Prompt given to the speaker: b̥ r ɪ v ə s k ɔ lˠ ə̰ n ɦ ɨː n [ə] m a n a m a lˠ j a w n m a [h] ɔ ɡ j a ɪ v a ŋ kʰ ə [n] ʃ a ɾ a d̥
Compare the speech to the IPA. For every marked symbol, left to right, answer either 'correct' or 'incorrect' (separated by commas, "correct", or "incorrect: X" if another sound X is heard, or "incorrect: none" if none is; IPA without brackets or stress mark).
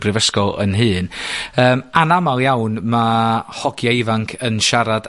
incorrect: əː, correct, correct